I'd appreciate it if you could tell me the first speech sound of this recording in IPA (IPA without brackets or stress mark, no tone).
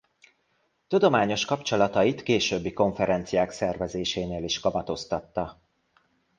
t̪